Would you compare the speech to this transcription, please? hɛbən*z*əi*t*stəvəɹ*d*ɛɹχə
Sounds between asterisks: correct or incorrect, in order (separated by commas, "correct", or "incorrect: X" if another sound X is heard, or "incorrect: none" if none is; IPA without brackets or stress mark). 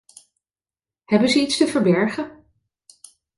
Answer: correct, correct, incorrect: b